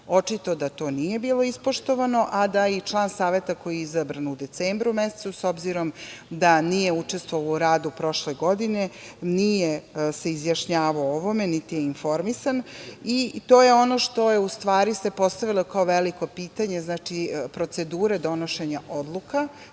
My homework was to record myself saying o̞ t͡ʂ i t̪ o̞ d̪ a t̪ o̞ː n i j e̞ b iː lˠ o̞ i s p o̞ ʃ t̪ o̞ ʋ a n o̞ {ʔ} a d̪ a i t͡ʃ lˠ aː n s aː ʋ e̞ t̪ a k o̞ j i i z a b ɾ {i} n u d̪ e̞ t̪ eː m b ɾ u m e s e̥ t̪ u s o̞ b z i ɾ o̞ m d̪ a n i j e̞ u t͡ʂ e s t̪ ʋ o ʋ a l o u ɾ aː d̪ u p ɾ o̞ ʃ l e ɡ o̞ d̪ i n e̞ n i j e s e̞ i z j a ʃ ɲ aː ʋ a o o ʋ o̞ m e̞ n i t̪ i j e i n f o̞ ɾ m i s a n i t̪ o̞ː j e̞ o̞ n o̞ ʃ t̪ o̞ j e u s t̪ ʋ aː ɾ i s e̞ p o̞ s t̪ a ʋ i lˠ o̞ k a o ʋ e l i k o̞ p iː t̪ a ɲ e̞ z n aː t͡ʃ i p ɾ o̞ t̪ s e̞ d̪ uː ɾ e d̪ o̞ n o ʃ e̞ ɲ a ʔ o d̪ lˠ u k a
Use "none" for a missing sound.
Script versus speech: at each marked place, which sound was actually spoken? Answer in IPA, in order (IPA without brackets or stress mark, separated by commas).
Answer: ʔ, a